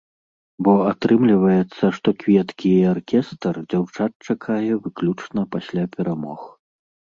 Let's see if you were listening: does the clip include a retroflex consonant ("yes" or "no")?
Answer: yes